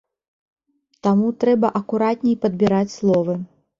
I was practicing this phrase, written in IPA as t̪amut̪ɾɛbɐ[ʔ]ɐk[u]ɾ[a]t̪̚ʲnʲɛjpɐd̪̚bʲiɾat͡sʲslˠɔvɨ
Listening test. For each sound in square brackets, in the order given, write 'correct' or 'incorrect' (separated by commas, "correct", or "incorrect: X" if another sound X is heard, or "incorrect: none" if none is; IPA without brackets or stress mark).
correct, correct, correct